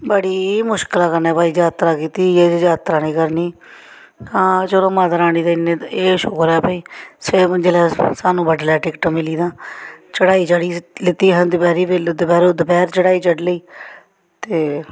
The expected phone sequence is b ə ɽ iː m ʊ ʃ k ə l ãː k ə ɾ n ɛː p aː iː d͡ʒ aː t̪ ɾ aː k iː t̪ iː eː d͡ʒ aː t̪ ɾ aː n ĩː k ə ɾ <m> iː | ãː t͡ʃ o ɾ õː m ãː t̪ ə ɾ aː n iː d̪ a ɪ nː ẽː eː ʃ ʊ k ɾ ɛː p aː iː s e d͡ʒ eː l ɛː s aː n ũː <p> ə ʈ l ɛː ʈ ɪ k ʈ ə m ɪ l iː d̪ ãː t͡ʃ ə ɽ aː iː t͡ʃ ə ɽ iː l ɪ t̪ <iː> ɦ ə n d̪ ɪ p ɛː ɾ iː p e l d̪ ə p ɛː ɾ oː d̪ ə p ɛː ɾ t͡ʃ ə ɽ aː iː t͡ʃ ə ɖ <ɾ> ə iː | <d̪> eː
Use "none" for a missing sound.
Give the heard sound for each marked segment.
n, b, iː, l, t̪

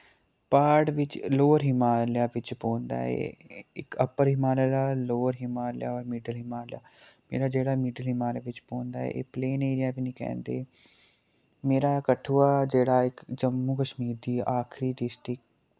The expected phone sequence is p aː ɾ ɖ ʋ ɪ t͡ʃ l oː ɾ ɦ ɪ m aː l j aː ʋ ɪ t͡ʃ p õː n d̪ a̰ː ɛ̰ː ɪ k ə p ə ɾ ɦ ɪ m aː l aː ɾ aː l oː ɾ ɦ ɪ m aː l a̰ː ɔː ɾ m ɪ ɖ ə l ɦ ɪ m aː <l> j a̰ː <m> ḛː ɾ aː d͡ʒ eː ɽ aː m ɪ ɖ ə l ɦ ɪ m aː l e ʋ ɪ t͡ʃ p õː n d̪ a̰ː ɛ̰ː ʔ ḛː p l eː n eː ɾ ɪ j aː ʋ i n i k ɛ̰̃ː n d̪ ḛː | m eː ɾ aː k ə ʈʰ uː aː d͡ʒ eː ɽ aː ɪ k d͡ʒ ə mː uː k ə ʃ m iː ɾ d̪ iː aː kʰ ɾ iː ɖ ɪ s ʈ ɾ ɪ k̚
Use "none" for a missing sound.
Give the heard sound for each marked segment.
l, m

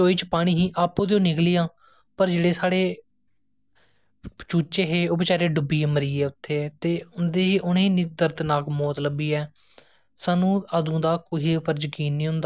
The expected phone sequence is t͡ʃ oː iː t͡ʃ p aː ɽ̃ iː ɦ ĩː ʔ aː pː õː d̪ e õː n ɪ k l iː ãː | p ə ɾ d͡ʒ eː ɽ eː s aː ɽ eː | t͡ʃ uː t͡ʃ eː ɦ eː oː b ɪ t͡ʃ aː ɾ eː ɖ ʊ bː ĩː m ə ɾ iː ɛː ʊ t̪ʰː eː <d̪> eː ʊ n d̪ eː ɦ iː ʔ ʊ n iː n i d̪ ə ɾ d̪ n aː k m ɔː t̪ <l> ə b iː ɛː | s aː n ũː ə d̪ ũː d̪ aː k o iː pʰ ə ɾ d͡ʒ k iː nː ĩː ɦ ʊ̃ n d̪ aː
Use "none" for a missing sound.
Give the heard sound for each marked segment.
t̪, l

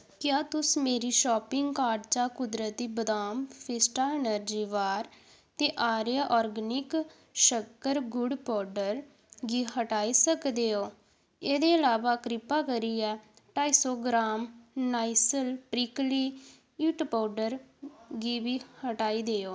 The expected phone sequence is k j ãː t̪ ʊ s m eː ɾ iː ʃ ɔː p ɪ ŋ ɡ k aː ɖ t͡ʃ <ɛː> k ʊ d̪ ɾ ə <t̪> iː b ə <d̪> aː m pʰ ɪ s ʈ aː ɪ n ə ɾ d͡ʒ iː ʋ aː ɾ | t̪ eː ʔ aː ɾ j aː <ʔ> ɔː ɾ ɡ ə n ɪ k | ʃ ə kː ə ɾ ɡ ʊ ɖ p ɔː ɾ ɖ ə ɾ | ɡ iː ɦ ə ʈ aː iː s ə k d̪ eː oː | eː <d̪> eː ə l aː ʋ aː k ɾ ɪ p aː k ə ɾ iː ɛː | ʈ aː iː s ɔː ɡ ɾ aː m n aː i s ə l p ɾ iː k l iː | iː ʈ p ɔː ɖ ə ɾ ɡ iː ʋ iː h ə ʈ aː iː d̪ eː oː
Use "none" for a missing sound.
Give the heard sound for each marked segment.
aː, t̪, d̪, ʔ, d̪

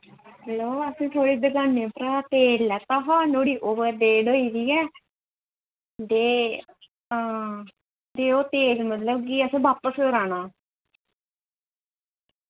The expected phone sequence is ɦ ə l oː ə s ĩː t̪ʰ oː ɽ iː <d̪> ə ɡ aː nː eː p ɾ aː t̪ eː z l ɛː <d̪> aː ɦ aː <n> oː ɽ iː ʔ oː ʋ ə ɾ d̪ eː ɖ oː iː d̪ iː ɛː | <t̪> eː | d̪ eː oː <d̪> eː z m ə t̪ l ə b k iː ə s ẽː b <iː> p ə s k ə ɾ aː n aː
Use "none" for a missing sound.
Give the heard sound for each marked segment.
d̪, t̪, n, d̪, t̪, aː

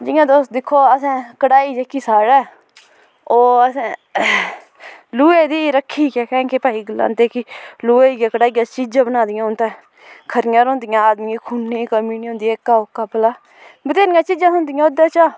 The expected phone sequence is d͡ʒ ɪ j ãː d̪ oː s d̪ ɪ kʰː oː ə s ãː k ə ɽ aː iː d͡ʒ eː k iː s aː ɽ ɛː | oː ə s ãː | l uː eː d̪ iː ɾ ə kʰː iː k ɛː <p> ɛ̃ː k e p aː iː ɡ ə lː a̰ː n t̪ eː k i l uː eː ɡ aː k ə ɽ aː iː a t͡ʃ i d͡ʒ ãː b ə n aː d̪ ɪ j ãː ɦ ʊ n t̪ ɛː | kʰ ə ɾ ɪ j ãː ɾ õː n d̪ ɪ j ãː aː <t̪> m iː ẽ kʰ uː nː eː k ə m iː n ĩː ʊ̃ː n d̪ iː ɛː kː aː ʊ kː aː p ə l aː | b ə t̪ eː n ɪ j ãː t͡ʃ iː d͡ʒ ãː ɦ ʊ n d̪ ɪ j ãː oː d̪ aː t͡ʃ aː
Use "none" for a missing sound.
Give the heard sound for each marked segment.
k, d̪

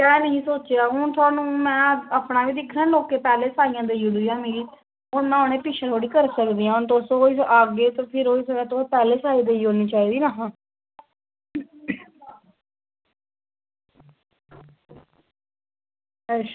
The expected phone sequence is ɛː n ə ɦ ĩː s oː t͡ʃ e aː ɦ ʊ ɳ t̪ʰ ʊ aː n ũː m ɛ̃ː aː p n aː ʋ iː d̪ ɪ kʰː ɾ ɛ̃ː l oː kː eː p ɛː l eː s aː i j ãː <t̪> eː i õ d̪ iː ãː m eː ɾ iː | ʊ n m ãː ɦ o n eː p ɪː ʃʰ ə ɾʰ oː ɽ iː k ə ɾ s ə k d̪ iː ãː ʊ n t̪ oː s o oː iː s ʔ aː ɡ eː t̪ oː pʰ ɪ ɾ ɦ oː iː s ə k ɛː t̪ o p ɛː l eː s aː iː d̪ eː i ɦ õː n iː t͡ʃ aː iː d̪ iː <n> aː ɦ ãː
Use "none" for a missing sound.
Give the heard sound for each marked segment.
d̪, n

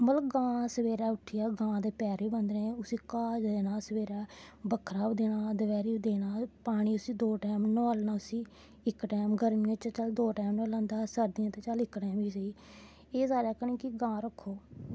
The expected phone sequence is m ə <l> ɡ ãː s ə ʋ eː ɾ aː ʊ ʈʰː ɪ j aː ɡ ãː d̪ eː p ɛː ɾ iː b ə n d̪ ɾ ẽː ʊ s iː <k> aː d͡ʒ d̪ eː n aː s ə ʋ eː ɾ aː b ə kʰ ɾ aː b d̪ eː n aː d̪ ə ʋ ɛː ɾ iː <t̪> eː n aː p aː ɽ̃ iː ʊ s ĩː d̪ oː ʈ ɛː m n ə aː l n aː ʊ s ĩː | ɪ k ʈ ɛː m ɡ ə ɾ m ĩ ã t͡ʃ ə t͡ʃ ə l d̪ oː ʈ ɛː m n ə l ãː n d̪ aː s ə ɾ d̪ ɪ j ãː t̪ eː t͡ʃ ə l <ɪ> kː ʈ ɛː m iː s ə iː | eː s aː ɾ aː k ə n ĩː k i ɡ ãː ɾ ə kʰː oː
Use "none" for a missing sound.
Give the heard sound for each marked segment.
l, k, d̪, ɪ

